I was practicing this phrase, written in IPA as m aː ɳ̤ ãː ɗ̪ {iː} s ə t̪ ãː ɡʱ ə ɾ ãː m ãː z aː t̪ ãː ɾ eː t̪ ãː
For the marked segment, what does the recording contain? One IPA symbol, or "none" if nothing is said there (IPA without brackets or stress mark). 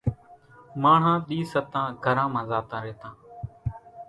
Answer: iː